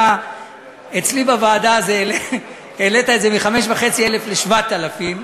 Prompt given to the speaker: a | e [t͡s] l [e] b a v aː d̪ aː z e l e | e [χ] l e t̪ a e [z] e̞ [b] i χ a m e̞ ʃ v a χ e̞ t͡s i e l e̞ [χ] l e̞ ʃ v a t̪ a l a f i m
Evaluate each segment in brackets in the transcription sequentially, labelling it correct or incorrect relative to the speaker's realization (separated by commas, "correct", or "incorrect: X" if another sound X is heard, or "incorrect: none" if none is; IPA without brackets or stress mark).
correct, incorrect: i, incorrect: none, correct, incorrect: m, incorrect: f